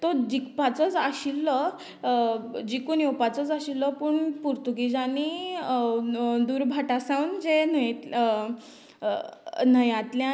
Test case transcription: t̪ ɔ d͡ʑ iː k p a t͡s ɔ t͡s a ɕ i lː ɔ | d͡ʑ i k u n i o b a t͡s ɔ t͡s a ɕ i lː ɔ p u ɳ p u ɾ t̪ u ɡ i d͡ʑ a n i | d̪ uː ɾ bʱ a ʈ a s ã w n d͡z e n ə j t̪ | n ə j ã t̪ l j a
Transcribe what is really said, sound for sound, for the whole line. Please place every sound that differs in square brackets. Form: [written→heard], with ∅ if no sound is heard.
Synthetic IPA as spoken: t̪ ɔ d͡ʑ [iː→i] k p a t͡s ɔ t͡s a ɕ i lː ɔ | d͡ʑ i k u n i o [b→p] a t͡s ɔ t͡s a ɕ i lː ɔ p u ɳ p u ɾ t̪ u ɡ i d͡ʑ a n i | d̪ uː ɾ bʱ a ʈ a s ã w n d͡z e n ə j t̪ | n ə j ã t̪ l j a